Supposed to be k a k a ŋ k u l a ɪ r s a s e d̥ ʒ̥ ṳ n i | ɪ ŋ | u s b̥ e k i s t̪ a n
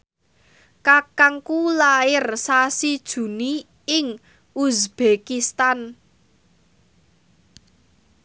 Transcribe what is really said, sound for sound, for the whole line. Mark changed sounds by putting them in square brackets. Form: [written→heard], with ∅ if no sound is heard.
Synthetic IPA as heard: k a k a ŋ k u l a ɪ r s a s [e→i] d̥ ʒ̥ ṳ n i | ɪ ŋ | u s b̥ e k i s t̪ a n